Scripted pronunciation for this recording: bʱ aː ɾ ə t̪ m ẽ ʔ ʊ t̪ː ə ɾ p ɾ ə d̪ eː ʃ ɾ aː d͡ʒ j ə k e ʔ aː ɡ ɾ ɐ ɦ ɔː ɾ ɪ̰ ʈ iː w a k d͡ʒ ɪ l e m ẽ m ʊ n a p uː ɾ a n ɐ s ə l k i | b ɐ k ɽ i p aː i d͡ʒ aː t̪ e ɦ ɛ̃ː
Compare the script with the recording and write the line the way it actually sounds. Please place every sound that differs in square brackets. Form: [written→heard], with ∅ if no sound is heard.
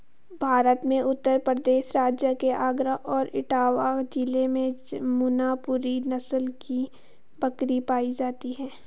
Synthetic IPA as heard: bʱ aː ɾ ə t̪ m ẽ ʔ ʊ t̪ː ə ɾ p ɾ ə d̪ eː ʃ ɾ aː d͡ʒ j ə k e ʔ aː ɡ ɾ [ɐ→ə] ɦ ɔː ɾ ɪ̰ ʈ [iː→aː] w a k d͡ʒ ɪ l e m ẽ m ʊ n a p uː ɾ [a→i] n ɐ s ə l k i | b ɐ k [ɽ→ɾ] i p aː i d͡ʒ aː t̪ [e→i] ɦ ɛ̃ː